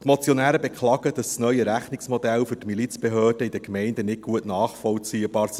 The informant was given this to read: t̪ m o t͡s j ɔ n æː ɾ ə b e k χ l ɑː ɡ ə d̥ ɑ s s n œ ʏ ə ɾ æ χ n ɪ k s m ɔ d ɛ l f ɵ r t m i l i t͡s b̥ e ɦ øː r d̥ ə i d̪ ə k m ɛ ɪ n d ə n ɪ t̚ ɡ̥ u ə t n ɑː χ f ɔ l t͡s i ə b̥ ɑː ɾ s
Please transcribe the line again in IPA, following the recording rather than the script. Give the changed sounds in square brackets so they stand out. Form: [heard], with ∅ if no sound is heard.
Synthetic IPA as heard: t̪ m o t͡s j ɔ n æː ɾ ə b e k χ l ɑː ɡ ə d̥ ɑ s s n œ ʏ ə ɾ æ χ n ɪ k s m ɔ d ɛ l f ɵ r t m i l i t͡s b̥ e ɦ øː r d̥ ə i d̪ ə k m ɛ ɪ n d ə n ɪ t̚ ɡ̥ u ə t n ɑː χ f ɔ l t͡s i ə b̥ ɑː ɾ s